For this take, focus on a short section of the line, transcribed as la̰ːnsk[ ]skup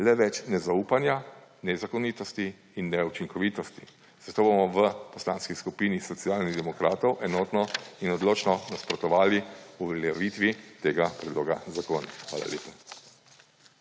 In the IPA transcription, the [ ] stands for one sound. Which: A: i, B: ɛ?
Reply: A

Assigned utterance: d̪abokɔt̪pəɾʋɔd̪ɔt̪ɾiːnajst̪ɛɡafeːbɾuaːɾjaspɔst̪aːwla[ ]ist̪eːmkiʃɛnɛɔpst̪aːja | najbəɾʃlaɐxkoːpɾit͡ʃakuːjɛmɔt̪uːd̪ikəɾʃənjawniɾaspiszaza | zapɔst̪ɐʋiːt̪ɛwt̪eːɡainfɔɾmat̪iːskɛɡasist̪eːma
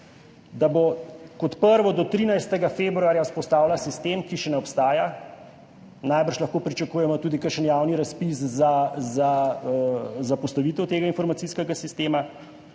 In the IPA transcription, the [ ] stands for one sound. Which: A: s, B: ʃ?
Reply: A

